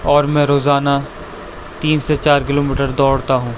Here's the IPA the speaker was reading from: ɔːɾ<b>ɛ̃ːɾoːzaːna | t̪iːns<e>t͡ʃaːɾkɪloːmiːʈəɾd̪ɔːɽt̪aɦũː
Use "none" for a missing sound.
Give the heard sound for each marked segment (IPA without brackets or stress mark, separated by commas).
m, e